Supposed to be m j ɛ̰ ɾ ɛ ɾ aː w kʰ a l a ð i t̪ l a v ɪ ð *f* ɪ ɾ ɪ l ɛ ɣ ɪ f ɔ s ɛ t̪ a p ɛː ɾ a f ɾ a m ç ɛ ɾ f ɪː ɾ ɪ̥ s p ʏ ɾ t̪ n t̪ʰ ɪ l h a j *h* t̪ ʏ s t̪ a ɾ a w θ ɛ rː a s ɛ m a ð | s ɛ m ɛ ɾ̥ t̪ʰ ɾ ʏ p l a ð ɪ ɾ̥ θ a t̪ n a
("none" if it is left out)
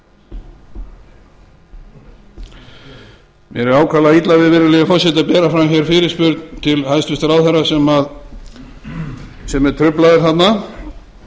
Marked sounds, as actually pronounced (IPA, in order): v, s

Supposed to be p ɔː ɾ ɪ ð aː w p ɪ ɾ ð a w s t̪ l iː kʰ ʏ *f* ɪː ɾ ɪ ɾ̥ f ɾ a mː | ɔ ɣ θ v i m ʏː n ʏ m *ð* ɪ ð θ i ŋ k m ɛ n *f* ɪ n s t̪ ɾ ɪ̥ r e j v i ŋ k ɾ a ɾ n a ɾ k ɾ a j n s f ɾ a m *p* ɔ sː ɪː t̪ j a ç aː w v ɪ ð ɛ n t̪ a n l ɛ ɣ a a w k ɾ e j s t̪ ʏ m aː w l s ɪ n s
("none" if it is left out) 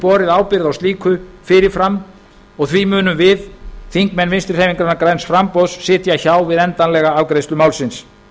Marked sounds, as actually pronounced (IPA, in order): f, v, v, p

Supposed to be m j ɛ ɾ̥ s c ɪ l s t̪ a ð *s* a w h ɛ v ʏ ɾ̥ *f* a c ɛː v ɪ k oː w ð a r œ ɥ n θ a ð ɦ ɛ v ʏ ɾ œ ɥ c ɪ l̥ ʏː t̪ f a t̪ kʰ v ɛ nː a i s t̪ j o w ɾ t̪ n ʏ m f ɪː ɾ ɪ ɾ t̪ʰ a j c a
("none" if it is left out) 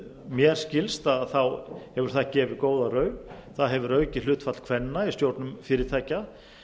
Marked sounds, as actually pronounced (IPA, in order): θ, θ

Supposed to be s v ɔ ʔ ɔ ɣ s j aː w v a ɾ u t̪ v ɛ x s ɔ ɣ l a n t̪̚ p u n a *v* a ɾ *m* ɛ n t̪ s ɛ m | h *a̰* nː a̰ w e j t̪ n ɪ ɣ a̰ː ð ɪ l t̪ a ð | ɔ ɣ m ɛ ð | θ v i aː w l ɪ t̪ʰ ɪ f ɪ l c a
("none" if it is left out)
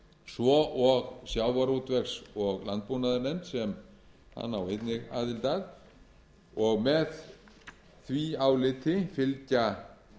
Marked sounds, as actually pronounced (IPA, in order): ð, n, a̰

